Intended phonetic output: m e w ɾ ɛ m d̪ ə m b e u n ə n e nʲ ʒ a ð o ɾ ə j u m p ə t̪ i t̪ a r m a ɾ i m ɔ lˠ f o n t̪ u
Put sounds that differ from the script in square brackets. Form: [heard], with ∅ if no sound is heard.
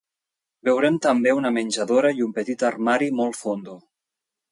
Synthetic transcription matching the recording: [b] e w ɾ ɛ m [t̪] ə m b e u n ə [m] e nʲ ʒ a ð o ɾ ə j u m p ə t̪ i t̪ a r m a ɾ i m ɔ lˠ f o n [d̪] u